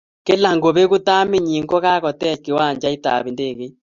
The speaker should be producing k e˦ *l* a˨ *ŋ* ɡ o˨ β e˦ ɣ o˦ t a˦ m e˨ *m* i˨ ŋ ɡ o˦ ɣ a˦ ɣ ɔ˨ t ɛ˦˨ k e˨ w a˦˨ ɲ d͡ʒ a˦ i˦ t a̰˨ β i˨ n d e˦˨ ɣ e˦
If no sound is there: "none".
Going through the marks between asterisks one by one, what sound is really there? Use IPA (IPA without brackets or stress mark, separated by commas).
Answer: l, ŋ, ɲ